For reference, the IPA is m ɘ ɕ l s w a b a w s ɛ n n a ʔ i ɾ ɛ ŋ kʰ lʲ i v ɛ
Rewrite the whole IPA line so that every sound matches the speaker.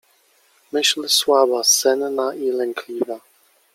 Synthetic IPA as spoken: m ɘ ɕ l s w a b a s ɛ n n a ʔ i l ɛ ŋ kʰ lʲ i v a